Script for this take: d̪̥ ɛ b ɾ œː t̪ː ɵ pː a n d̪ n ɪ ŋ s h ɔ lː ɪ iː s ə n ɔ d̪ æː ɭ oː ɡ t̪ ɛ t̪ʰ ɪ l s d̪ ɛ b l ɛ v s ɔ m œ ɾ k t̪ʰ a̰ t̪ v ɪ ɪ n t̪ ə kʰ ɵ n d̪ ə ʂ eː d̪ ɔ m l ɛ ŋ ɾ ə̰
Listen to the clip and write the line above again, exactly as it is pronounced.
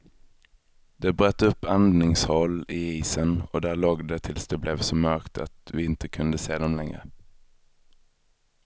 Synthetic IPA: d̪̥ ɛ b ɾ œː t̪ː ɵ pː a n d̪ n ɪ ŋ s h ɔ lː ɪ iː s ə n ɔ d̪ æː ɭ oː ɡ d̪ ɛ t̪ʰ ɪ l s d̪ ɛ b l ɛ v s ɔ m œ ɾ k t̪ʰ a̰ t̪ v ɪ ɪ n t̪ ə kʰ ɵ n d̪ ə s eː d̪ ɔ m l ɛ ŋ ɾ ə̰